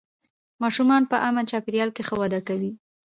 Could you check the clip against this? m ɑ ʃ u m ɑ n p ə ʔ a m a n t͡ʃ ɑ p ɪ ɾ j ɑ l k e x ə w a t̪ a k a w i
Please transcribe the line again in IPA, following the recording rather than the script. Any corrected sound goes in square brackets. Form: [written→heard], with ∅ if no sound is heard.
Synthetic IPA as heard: m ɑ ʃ u m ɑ n p ə ʔ a m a n t͡ʃ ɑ p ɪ ɾ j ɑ l k e x ə w a [t̪→d̪] a k a w i